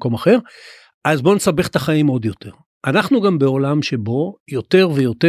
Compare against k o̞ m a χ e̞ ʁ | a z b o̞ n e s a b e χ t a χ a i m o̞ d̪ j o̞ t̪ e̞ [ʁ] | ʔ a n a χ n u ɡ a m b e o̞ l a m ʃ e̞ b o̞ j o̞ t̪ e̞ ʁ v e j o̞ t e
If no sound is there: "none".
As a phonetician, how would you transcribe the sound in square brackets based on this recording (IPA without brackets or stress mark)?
ʁ